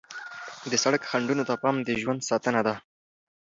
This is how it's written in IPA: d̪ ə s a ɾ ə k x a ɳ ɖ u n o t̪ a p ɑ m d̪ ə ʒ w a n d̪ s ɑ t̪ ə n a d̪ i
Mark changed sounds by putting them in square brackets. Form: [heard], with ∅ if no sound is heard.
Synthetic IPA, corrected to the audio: d̪ ə s a [ɽ] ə k x a ɳ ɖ u n o t̪ a p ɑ m d̪ ə ʒ w a n d̪ s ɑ t̪ ə n a d̪ [a]